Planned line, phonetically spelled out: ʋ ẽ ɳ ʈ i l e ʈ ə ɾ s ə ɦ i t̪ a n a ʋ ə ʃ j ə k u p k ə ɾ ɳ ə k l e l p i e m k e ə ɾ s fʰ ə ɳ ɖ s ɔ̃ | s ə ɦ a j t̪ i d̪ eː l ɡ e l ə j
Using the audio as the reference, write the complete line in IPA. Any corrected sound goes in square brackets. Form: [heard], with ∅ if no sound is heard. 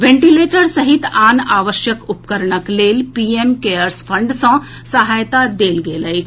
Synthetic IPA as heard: ʋ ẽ ɳ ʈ i l e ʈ ə ɾ s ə ɦ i t̪ a n a ʋ ə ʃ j ə k u p k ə ɾ ɳ ə k l e l p i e m k e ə ɾ s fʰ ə ɳ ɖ s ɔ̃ | s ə ɦ a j t̪ [a] d̪ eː l ɡ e l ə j